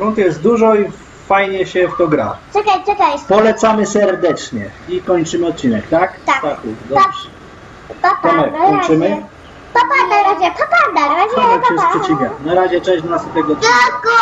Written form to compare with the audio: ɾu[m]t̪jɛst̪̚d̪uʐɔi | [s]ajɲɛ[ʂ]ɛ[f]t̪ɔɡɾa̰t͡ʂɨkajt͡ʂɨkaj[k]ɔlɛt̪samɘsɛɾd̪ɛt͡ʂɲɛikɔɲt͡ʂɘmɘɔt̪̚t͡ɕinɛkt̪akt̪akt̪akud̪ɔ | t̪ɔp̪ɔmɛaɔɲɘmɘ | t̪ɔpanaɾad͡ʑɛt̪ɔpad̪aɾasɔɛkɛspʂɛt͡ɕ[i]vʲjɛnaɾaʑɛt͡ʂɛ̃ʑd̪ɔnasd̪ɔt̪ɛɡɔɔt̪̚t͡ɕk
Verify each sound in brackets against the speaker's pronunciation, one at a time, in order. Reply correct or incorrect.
incorrect, incorrect, incorrect, correct, incorrect, correct

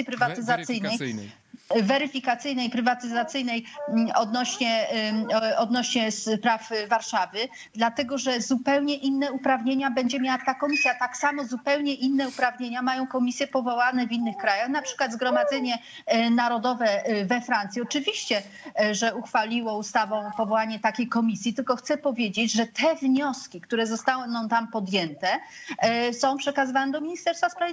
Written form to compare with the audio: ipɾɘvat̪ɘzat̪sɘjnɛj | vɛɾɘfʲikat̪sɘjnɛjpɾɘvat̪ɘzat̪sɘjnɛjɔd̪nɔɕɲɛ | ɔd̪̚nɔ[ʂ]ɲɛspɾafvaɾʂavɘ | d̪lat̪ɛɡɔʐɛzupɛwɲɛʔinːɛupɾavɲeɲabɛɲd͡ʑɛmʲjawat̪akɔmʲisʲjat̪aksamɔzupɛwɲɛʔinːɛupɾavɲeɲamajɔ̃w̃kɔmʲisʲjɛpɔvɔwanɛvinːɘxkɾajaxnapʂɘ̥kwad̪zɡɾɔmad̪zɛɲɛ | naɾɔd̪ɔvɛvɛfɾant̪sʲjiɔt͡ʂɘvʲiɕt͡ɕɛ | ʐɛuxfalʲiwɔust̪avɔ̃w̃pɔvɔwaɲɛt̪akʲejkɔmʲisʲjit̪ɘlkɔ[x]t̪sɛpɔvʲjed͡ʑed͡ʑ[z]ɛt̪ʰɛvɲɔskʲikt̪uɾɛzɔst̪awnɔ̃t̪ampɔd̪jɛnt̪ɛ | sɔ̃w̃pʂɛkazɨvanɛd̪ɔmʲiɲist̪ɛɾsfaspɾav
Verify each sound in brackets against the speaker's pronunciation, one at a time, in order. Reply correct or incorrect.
incorrect, correct, incorrect

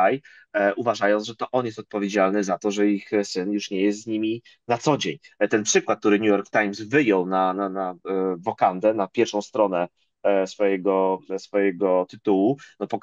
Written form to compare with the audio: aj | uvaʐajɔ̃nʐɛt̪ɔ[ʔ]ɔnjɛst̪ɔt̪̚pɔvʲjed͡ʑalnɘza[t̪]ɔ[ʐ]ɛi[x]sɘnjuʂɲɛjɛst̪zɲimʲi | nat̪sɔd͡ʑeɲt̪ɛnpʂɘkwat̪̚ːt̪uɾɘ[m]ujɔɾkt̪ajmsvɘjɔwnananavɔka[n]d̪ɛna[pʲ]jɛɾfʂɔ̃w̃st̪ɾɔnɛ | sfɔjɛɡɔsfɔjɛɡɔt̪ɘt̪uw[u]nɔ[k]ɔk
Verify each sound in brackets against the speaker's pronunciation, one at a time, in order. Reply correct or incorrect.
correct, correct, correct, correct, incorrect, correct, correct, correct, incorrect

